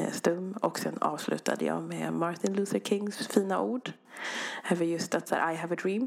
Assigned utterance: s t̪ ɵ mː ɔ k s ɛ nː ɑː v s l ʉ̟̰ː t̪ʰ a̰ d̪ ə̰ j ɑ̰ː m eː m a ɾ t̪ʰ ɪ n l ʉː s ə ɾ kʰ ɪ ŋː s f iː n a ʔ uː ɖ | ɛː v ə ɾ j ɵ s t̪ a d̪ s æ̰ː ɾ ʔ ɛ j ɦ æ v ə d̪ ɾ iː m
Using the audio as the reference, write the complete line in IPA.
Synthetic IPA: s t̪ ɵ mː ɔ k s ɛ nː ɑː v s l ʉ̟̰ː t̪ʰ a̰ d̪ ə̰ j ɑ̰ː m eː m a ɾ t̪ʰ ɪ n l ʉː s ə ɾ kʰ ɪ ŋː s f iː n a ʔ uː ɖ | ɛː v ə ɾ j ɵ s t̪ a t̪ s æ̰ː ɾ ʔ a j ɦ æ v ə d̪ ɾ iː m